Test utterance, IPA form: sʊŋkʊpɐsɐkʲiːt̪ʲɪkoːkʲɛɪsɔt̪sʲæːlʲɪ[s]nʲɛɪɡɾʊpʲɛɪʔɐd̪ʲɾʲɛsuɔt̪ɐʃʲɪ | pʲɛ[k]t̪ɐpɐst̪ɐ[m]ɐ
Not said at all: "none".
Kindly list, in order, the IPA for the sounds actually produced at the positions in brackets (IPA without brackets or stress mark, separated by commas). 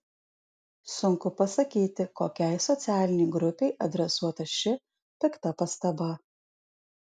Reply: none, k, b